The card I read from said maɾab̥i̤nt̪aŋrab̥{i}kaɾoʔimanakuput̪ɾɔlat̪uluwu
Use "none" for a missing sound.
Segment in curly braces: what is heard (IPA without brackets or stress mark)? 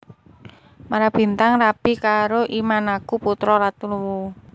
i